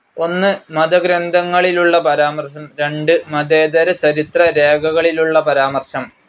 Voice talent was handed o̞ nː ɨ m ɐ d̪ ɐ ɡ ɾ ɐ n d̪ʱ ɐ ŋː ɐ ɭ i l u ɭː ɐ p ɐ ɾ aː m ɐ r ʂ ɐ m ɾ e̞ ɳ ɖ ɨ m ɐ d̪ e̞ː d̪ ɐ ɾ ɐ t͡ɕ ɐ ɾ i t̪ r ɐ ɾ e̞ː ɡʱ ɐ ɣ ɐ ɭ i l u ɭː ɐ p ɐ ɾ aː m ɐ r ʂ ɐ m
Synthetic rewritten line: o̞ nː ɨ m ɐ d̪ ɐ ɡ ɾ ɐ n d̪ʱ ɐ ŋː ɐ ɭ i l u ɭː ɐ p ɐ ɾ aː m ɐ r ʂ ɐ m ɾ e̞ ɳ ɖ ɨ m ɐ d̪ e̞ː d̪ ɐ ɾ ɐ t͡ɕ ɐ ɾ i t̪ r ɐ ɾ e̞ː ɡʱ ɐ ɣ ɐ ɭ i l u ɭː ɐ p ɐ ɾ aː m ɐ r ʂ ɐ m